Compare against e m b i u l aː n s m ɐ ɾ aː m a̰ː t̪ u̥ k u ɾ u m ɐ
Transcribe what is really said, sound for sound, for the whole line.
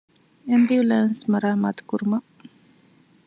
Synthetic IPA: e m b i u l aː n s m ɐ ɾ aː m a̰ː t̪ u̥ k u ɾ u m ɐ